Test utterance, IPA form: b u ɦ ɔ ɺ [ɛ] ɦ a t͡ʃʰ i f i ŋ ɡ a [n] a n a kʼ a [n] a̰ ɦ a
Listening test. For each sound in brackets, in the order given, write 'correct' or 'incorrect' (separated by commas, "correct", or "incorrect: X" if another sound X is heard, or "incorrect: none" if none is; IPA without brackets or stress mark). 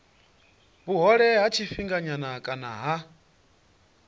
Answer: correct, incorrect: ɲ, correct